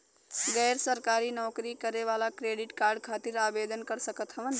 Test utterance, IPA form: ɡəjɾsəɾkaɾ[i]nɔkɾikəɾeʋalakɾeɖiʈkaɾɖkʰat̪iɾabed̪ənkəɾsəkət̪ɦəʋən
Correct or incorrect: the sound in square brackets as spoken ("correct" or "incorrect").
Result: correct